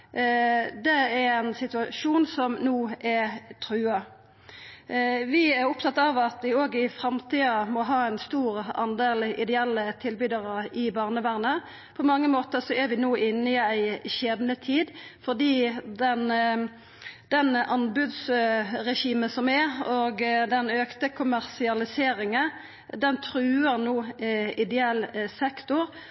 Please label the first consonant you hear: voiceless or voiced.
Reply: voiced